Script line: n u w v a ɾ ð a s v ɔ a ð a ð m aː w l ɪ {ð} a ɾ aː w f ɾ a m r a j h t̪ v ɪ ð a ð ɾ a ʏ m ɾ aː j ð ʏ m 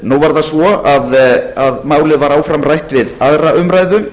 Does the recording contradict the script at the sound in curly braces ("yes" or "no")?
yes